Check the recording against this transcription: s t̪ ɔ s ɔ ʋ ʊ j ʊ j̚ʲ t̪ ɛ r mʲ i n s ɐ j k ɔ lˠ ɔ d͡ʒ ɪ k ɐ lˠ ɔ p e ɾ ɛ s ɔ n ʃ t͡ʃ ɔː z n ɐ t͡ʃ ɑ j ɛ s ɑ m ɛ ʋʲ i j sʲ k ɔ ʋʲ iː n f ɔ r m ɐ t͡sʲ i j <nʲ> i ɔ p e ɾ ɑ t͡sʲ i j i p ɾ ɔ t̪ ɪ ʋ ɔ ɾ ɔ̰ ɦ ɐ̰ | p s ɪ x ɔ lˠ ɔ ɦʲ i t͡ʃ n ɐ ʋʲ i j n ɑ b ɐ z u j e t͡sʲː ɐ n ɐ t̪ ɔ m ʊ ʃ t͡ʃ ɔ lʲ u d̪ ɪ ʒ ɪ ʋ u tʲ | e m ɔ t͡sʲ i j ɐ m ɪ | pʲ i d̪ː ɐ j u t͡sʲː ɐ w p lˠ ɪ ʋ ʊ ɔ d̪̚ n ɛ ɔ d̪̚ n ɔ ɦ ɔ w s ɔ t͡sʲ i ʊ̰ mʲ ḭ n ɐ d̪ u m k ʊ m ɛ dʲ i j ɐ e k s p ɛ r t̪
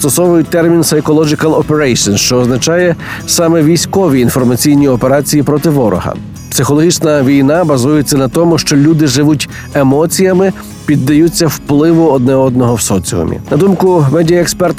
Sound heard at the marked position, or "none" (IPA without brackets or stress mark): nʲ